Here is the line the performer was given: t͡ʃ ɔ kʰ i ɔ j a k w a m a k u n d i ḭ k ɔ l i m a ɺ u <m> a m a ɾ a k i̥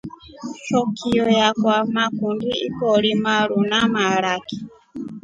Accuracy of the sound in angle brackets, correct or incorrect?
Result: incorrect